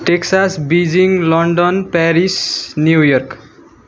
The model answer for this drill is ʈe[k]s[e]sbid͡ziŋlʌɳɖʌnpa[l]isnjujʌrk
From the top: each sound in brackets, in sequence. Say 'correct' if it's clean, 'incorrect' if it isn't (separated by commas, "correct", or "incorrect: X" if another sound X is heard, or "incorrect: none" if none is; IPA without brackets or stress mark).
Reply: correct, incorrect: a, incorrect: ɾ